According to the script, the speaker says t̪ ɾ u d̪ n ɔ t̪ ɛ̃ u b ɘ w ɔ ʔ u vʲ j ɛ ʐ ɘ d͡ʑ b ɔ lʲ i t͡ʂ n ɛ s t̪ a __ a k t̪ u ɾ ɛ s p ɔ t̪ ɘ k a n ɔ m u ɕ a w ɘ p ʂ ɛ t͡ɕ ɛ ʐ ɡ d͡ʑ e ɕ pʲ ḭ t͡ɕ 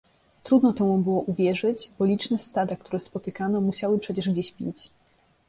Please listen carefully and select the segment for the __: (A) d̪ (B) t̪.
A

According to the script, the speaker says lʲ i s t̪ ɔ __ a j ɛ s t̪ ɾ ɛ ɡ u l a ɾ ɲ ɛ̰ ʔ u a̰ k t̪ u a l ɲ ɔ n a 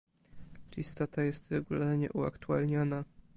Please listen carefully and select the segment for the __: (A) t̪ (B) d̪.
A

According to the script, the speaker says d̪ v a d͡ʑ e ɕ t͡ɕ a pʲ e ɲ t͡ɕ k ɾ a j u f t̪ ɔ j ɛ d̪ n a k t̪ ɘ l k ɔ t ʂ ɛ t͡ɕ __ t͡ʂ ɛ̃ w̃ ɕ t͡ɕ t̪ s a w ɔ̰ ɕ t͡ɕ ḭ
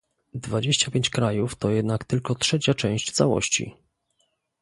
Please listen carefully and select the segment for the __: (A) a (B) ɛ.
A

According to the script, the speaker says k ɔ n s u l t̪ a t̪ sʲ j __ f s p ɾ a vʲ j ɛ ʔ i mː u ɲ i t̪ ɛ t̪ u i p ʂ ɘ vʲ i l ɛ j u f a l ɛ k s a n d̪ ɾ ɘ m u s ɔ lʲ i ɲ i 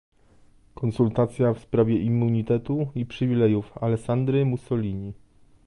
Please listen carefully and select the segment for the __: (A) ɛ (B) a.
B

